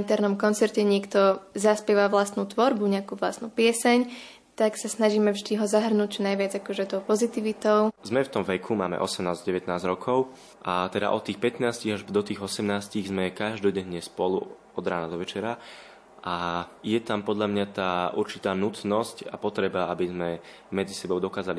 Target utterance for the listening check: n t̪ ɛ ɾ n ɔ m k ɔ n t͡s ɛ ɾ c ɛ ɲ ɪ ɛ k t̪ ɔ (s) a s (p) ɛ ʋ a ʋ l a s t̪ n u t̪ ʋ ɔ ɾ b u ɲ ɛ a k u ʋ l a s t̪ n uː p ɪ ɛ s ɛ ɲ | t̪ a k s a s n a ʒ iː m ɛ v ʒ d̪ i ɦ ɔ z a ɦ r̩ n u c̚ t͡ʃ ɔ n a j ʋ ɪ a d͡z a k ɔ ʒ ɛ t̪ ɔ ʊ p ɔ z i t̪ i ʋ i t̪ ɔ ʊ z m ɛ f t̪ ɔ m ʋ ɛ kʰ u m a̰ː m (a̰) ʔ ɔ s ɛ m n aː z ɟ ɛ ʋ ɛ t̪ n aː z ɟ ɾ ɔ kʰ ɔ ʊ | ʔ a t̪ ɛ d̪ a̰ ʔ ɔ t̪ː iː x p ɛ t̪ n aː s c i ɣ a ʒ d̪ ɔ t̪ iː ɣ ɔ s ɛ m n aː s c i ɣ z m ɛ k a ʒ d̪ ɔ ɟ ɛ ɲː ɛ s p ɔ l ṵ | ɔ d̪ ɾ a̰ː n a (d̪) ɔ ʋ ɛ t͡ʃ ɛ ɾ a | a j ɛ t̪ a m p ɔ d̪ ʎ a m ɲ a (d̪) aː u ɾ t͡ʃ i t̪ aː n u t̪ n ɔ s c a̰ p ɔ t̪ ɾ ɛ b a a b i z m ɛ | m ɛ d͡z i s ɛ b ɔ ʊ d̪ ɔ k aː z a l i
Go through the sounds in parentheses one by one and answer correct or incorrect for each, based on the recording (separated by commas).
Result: incorrect, correct, incorrect, correct, incorrect